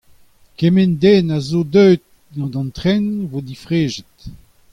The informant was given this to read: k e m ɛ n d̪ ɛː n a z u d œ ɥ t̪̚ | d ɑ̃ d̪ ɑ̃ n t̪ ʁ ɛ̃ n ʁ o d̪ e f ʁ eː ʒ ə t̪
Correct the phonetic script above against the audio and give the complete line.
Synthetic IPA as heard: k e m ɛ n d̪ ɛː n a z o d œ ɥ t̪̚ | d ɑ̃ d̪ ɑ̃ n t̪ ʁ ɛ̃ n v o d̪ i f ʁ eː ʒ ə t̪